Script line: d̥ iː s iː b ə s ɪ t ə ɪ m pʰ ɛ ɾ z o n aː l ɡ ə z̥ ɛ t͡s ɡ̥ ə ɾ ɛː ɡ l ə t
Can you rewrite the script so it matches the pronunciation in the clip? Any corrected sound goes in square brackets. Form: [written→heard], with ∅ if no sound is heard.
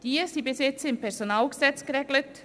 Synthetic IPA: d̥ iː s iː b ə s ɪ [t→t͡s] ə ɪ m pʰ ɛ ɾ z o n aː l ɡ ə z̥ ɛ t͡s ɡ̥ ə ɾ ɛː ɡ l ə t